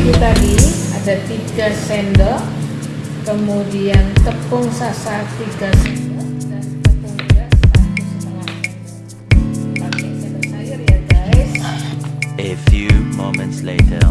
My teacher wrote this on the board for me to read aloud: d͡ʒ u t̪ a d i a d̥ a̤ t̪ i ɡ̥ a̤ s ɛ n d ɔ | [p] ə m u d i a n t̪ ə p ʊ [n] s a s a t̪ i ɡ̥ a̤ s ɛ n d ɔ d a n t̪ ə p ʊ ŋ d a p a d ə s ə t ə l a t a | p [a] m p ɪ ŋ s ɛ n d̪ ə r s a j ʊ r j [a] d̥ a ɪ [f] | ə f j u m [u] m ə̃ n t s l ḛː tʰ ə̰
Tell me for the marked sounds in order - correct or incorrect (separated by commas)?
incorrect, incorrect, correct, correct, incorrect, incorrect